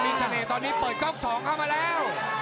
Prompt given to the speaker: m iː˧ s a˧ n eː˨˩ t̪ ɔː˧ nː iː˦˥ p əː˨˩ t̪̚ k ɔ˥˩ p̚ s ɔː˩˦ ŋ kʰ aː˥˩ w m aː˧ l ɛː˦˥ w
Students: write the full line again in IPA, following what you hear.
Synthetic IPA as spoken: m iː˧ s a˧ n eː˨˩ t̪ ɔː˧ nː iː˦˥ p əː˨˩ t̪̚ k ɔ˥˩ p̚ s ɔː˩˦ ŋ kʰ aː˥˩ w m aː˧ l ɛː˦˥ w